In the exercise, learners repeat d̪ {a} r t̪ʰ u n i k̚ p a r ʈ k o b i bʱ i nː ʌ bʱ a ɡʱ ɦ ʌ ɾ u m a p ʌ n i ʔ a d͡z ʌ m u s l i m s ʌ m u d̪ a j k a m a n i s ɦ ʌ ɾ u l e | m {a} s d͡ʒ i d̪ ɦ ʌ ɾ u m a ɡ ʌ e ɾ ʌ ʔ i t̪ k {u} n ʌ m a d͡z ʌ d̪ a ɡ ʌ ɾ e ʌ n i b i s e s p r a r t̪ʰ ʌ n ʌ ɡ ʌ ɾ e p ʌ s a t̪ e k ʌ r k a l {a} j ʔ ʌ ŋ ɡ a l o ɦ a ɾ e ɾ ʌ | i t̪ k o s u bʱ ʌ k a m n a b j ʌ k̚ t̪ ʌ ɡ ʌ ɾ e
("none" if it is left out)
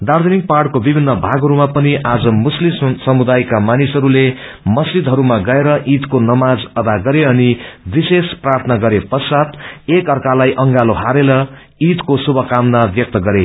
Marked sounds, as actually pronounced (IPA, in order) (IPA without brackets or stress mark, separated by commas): a, ʌ, o, a